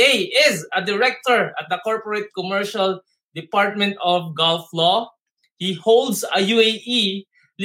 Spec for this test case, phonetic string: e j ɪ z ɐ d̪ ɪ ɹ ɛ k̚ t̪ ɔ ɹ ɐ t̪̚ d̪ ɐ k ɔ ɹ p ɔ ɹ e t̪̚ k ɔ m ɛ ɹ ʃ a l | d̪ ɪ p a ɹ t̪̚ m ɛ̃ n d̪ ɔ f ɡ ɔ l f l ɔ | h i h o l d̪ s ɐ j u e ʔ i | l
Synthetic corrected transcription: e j ɪ z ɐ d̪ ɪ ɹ ɛ k̚ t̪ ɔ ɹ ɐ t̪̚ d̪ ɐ k ɔ ɹ p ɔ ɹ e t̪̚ k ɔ m ɛ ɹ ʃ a l | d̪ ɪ p a ɹ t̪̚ m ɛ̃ n t̪ ɔ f ɡ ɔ l f l ɔ | h i h o l d̪ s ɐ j u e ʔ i | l